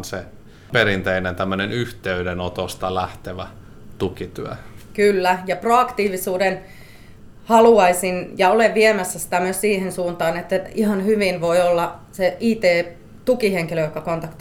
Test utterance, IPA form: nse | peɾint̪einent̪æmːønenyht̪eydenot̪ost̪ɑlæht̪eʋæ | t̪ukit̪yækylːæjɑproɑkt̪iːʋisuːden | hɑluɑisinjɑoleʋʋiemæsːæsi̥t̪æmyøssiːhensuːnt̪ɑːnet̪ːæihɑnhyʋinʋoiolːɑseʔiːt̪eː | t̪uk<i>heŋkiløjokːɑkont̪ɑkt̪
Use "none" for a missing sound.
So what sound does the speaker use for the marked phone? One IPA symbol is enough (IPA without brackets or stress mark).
i